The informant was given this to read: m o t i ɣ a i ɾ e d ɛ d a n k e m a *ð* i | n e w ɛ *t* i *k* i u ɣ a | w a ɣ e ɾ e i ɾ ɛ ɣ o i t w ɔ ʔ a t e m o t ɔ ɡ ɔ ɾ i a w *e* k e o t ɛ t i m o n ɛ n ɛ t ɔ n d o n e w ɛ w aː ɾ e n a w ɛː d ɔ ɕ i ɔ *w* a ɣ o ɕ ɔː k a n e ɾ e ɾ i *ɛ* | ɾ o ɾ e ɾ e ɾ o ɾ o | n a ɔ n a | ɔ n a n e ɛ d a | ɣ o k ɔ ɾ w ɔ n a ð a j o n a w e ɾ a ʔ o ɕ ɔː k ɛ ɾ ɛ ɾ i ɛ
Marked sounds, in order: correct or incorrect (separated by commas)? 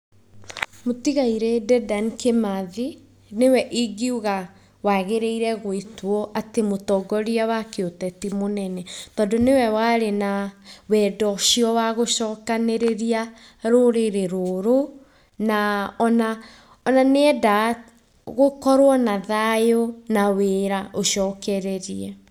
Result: correct, incorrect, incorrect, incorrect, correct, incorrect